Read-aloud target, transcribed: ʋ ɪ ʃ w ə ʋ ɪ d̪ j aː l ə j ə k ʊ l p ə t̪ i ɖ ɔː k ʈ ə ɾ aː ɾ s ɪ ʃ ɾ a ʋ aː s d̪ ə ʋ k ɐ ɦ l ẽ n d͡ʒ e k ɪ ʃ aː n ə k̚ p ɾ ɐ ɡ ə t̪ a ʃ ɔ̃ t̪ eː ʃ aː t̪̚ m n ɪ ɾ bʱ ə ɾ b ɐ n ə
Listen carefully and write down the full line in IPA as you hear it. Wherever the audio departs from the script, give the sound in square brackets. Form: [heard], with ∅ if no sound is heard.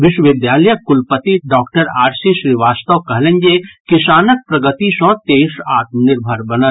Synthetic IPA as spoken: ʋ ɪ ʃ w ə ʋ ɪ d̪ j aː l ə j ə k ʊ l p ə t̪ i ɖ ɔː k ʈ ə ɾ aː ɾ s [i] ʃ ɾ [i] ʋ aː s [t̪] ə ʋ k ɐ ɦ l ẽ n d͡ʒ e k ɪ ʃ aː n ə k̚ p ɾ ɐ ɡ ə t̪ [i] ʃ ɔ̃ t̪ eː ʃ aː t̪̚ m n ɪ ɾ bʱ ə ɾ b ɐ n ə